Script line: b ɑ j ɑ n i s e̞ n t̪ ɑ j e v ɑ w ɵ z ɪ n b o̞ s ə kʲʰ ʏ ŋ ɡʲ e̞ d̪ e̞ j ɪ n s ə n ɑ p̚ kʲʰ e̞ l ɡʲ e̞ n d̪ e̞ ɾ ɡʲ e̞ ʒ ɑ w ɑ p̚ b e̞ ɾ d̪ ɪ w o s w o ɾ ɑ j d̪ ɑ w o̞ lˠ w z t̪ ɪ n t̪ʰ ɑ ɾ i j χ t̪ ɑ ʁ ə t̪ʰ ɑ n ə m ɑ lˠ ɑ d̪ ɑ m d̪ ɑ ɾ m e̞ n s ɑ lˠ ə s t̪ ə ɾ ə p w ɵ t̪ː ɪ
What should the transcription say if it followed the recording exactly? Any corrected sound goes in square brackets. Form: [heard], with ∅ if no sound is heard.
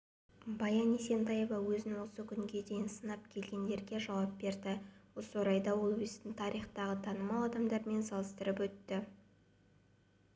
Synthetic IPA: b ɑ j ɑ n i s e̞ n t̪ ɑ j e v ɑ w ɵ z ɪ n [w] o̞ s ə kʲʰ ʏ ŋ ɡʲ e̞ d̪ e̞ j ɪ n s ə n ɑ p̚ kʲʰ e̞ l ɡʲ e̞ n d̪ e̞ ɾ ɡʲ e̞ ʒ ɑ w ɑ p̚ b e̞ ɾ d̪ ɪ w o s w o ɾ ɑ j d̪ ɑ w o̞ lˠ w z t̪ ɪ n t̪ʰ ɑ ɾ i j χ t̪ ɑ ʁ ə t̪ʰ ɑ n ə m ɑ lˠ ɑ d̪ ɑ m d̪ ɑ ɾ m e̞ n s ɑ lˠ ə s t̪ ə ɾ ə p w ɵ t̪ː ɪ